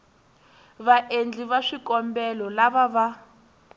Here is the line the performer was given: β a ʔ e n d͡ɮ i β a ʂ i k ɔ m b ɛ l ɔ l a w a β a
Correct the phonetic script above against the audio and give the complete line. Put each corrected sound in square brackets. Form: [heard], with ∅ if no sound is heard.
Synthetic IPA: β a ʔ e n d͡ɮ i β a ʂ i k ɔ m b ɛ l ɔ l a [β] a β a